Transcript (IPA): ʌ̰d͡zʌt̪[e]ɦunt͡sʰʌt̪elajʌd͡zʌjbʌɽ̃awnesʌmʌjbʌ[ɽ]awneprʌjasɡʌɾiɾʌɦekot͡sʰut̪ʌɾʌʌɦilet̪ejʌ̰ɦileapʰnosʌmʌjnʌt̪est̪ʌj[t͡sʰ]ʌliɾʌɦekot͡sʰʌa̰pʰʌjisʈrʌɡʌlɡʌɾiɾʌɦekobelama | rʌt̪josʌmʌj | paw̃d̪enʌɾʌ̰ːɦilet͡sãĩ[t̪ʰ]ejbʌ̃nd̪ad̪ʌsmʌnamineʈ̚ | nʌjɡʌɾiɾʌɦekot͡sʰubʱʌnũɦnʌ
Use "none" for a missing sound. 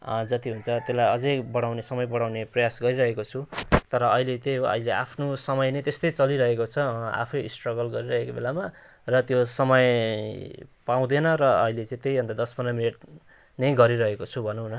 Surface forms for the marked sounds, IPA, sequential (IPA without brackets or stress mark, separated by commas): i, ɽ, t͡s, t̪